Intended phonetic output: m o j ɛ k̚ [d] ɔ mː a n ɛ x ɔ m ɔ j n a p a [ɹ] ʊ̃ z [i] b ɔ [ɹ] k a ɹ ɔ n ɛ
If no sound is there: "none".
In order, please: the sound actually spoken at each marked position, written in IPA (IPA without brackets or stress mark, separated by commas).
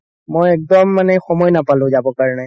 d, l, a, none